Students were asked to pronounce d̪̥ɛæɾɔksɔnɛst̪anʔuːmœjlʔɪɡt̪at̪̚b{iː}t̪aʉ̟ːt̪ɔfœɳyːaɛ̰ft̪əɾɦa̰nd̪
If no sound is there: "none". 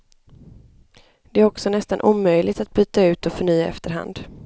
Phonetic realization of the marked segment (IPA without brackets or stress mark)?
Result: yː